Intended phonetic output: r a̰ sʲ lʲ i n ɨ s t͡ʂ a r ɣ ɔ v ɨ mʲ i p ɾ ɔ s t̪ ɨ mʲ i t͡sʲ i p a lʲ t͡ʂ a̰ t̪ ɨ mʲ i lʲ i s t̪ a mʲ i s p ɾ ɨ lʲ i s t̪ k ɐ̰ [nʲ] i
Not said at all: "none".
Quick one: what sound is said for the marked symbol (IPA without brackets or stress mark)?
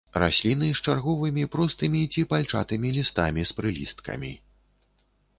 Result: mʲ